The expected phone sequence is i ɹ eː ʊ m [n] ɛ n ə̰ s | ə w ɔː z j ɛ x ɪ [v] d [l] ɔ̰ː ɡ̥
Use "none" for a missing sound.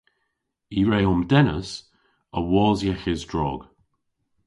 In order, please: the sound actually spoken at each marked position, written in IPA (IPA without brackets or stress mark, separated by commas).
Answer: d, z, ɹ